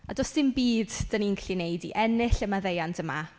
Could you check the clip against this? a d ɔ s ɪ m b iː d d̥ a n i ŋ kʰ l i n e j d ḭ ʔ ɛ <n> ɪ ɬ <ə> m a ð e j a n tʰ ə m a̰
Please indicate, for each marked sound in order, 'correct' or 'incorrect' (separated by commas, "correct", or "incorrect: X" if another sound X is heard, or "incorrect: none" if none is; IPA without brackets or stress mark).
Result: correct, correct